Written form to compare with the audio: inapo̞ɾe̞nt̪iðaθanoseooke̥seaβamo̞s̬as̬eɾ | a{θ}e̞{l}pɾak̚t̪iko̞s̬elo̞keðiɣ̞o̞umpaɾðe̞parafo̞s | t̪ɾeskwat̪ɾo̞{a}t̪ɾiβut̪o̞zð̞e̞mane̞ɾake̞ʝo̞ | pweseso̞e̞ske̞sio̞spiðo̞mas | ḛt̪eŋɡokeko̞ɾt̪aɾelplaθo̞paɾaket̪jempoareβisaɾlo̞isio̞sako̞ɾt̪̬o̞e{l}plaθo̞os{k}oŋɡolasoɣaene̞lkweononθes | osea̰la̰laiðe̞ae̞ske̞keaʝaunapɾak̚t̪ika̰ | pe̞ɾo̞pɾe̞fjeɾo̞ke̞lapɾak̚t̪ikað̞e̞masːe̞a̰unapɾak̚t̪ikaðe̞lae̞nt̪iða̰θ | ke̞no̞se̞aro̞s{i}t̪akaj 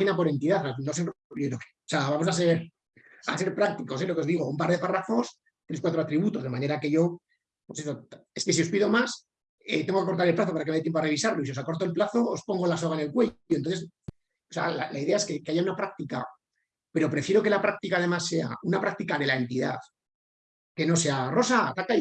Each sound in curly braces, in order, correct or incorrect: incorrect: s, incorrect: ɾ, correct, correct, incorrect: p, incorrect: a

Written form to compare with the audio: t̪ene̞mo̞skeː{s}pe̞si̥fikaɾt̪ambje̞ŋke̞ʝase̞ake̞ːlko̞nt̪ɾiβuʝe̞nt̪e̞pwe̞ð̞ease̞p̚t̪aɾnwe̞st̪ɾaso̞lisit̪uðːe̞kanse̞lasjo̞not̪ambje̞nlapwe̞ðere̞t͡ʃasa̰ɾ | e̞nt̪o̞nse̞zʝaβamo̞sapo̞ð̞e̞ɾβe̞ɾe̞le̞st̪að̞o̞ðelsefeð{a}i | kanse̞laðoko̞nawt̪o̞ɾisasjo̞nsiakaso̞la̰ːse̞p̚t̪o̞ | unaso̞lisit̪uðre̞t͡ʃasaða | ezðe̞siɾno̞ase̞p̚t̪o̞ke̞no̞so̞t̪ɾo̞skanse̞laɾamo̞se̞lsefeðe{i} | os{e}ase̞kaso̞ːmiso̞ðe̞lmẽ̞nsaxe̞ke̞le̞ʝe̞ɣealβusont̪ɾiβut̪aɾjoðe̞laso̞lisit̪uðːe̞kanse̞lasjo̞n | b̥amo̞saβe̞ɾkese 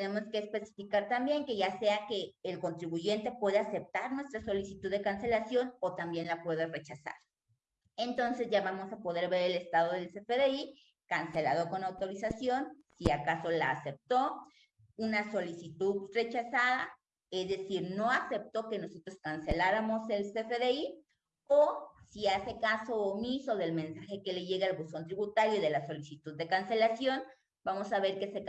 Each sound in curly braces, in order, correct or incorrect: correct, incorrect: e, correct, incorrect: i

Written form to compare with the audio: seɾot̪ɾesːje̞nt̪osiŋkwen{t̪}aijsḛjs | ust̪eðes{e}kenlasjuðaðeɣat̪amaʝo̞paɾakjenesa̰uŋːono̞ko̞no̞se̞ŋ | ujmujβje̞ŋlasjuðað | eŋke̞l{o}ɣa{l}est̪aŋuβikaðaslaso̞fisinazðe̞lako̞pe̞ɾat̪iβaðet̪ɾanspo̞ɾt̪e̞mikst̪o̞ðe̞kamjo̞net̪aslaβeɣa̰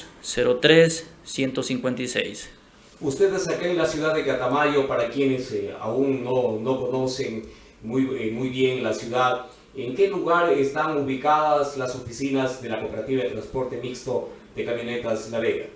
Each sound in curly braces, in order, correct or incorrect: correct, incorrect: a, incorrect: u, incorrect: ɾ

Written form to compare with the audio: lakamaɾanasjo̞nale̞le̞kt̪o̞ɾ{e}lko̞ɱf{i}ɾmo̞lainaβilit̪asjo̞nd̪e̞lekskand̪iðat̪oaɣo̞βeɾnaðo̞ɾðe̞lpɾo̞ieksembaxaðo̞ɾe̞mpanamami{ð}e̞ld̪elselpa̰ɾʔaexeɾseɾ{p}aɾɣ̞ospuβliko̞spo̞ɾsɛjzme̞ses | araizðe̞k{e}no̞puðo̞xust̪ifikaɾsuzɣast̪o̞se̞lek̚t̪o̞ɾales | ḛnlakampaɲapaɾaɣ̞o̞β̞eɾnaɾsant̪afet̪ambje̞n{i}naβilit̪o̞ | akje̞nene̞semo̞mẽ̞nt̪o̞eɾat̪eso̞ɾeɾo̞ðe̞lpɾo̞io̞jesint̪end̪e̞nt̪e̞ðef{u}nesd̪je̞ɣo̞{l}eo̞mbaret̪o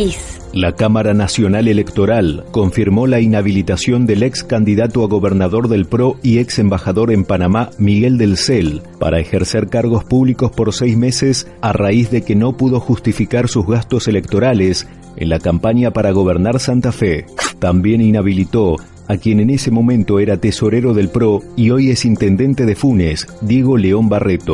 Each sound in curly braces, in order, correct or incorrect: incorrect: a, correct, incorrect: ɣ, incorrect: k, correct, correct, correct, correct

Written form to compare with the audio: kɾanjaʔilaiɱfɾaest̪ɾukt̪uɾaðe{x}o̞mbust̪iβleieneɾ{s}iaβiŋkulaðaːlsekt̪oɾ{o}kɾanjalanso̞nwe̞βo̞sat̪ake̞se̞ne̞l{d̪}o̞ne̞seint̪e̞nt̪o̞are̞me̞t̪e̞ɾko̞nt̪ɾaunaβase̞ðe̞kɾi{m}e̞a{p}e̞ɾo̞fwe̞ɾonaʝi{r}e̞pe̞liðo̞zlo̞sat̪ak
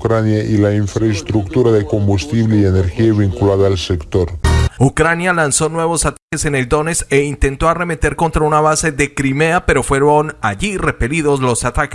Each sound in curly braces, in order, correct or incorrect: incorrect: k, incorrect: x, incorrect: u, correct, correct, correct, correct

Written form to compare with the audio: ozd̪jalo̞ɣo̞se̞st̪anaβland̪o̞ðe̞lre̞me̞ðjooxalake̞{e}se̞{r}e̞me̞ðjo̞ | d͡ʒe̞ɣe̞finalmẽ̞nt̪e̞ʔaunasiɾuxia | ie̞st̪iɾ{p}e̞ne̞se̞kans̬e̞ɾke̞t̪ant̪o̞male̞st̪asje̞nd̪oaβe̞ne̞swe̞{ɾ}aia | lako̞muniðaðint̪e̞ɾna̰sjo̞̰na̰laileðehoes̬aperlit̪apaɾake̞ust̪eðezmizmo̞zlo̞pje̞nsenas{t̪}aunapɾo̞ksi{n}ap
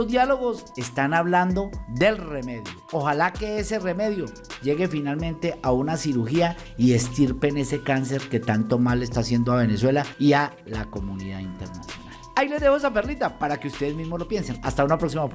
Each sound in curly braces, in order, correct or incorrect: correct, correct, correct, incorrect: l, correct, incorrect: m

